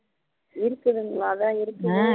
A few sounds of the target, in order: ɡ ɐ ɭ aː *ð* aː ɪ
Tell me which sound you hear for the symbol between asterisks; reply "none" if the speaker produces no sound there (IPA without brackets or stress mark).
ð